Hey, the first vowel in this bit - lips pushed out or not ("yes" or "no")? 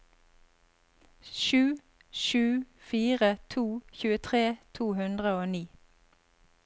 yes